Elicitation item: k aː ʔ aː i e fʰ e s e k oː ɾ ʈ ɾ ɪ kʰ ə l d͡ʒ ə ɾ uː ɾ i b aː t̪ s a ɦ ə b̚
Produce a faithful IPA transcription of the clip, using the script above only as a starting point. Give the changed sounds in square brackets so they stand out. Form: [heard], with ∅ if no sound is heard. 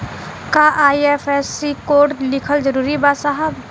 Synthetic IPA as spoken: k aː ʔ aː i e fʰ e s [i] k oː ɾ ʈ [l] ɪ kʰ ə l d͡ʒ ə ɾ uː ɾ i b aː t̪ s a ɦ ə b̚